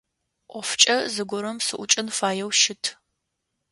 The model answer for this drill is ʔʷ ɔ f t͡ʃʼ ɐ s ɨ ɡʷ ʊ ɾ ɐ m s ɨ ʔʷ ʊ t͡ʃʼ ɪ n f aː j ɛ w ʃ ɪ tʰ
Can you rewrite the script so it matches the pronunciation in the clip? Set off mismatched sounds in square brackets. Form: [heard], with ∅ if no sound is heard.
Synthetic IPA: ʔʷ ɔ f t͡ʃʼ ɐ [z] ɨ ɡʷ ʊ ɾ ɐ m s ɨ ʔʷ ʊ t͡ʃʼ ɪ n f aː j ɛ w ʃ ɪ tʰ